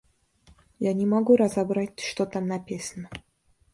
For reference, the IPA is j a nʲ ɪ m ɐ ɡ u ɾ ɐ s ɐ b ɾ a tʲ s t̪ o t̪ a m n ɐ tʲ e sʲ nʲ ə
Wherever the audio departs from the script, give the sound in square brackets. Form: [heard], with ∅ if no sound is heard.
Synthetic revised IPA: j a nʲ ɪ m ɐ ɡ u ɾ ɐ [z] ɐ b ɾ a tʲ [ʂ] t̪ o t̪ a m n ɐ [pʲ] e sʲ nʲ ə